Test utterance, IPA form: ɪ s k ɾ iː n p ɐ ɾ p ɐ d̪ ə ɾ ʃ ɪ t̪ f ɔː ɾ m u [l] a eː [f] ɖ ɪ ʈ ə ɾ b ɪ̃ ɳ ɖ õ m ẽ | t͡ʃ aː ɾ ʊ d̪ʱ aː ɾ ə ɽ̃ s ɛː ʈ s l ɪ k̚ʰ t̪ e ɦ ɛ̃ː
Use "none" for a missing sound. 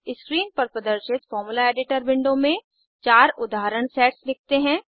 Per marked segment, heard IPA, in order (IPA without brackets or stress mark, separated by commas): l, none